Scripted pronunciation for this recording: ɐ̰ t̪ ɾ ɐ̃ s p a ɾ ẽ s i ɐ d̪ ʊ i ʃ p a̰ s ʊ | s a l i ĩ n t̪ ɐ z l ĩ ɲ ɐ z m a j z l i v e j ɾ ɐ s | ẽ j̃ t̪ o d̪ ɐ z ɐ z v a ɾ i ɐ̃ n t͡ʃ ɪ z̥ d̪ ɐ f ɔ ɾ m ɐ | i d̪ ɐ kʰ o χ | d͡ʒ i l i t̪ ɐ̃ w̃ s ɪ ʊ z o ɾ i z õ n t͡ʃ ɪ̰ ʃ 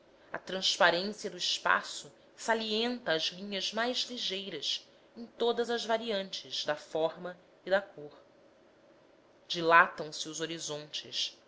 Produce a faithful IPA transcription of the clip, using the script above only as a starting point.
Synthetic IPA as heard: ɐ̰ t̪ ɾ ɐ̃ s p a ɾ ẽ s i ɐ d̪ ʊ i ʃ p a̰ s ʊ | s a l i ẽ n t̪ ɐː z l ĩ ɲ ɐ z m a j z l i ʒ e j ɾ ɐ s | ẽ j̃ t̪ o d̪ ɐ z ɐ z v a ɾ i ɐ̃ n t͡ʃ ɪ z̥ d̪ ɐ f ɔ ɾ m ɐ | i d̪ ɐ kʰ o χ | d͡ʒ i l a t̪ ɐ̃ w̃ s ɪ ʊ z o ɾ i z õ n t͡ʃ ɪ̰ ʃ

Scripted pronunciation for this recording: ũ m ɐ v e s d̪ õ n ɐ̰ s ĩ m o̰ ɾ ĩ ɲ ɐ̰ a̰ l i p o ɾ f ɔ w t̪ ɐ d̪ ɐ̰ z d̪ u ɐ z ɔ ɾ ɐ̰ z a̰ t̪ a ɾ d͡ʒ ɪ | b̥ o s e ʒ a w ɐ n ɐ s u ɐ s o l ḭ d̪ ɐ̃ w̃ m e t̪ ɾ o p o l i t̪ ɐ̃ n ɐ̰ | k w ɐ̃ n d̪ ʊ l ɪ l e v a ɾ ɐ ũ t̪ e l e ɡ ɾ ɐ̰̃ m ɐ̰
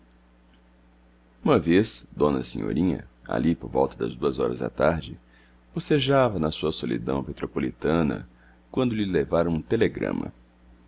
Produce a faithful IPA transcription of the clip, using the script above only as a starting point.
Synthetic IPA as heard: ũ m ɐ v e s d̪ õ n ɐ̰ s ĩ ɲ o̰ ɾ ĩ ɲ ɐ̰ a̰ l i p o ɾ v ɔ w t̪ ɐ d̪ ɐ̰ z d̪ u ɐ z ɔ ɾ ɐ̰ z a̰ t̪ a ɾ d͡ʒ ɪ | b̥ o s e ʒ a v ɐ n ɐ s u ɐ s o l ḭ d̪ ɐ̃ w̃ m e t̪ ɾ o p o l i t̪ ɐ̃ n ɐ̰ | k w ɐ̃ n d̪ ʊ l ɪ l e v a ɾ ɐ ũ t̪ e l e ɡ ɾ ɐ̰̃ m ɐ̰

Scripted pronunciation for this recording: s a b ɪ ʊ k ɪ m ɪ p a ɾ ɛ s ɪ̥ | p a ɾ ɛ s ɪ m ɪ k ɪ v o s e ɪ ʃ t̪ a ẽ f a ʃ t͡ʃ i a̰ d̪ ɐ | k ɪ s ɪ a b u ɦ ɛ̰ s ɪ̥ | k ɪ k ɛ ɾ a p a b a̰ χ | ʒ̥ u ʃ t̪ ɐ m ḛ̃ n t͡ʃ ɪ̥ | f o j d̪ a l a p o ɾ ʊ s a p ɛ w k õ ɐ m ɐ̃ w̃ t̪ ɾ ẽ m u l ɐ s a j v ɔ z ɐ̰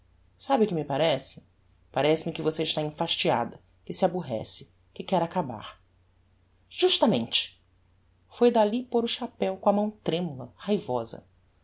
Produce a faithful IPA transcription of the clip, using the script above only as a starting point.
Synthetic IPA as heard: s a b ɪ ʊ k ɪ m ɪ p a ɾ ɛ s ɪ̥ | p a ɾ ɛ s ɪ m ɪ k ɪ v o s e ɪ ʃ t̪ a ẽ f a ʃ t͡ʃ i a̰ d̪ ɐ | k ɪ s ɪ a b u ɦ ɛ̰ s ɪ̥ | k ɪ k ɛ ɾ a k a b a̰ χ | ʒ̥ u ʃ t̪ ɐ m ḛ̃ n t͡ʃ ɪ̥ | f o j d̪ a l i p o ɾ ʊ ʃ a p ɛ w k õ ɐ m ɐ̃ w̃ t̪ ɾ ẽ m u l ɐ h a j v ɔ z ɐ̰

